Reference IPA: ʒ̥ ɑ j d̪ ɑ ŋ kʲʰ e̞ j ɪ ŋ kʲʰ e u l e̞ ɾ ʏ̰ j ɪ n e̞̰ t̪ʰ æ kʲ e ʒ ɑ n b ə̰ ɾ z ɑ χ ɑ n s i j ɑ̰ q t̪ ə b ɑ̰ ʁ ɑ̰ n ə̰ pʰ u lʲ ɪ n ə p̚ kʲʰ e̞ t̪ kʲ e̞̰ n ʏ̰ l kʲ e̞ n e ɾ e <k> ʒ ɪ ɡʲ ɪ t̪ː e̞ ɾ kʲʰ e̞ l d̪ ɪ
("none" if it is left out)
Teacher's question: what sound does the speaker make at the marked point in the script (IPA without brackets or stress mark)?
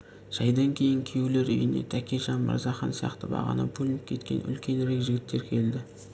k